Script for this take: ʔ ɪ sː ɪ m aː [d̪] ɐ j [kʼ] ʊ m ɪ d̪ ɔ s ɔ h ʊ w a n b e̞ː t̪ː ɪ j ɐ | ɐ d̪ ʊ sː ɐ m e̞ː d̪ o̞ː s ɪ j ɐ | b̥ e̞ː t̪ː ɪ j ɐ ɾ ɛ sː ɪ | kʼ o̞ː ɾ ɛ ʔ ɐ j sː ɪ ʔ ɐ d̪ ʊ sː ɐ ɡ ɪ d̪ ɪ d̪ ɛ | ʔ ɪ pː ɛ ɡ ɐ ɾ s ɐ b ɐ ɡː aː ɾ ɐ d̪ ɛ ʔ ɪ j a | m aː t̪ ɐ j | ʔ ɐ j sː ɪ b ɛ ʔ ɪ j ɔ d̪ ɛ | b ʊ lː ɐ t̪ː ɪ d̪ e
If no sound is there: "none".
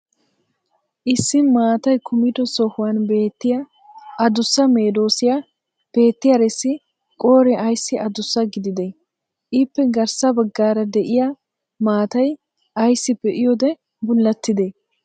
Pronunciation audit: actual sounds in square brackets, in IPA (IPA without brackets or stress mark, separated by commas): t̪, k